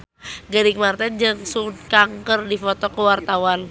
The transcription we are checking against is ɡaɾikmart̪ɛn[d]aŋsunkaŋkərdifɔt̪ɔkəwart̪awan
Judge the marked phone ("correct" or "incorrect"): incorrect